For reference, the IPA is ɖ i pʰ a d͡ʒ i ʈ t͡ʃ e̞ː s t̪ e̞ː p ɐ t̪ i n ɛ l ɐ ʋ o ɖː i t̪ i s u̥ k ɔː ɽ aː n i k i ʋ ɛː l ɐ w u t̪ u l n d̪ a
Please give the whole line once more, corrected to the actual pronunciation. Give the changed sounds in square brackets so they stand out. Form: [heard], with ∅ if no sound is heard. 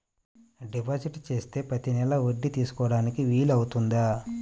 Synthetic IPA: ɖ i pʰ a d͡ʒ i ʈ t͡ʃ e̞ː s t̪ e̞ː p ɐ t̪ i n ɛ l ɐ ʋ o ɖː i t̪ [iː] s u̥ k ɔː ɽ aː n i k i ʋ [iː] l ɐ w u t̪ u [∅] n d̪ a